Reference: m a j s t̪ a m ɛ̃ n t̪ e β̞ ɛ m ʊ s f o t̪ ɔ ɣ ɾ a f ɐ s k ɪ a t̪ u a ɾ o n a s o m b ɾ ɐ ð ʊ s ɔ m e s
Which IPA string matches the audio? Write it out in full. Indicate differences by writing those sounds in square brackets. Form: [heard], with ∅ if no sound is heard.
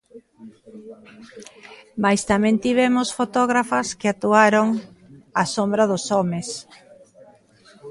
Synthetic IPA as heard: m a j s t̪ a m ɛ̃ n t̪ [i] β̞ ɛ m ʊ s f o t̪ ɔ ɣ ɾ a f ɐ s k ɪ a t̪ u a ɾ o [ŋ] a s o m b ɾ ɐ ð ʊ s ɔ m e s